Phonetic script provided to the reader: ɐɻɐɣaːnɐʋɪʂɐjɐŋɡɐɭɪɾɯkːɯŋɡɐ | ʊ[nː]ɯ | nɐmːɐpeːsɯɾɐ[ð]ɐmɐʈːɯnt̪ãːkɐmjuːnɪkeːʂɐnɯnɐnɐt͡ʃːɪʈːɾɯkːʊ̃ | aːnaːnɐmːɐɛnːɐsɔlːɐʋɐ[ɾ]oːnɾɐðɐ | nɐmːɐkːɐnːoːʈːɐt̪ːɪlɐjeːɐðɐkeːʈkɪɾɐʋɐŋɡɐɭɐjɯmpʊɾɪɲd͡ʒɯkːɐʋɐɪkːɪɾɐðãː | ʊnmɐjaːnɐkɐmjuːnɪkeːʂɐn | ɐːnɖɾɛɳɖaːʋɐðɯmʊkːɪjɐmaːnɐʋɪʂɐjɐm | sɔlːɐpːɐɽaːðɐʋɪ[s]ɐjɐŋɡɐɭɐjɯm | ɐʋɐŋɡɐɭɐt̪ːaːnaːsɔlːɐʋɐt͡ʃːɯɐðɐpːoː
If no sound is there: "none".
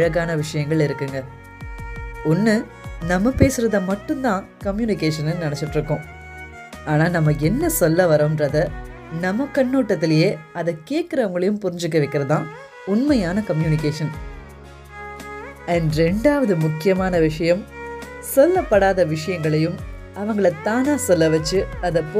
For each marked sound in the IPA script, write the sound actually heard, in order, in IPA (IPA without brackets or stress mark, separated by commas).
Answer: nː, ð, ɾ, ʂ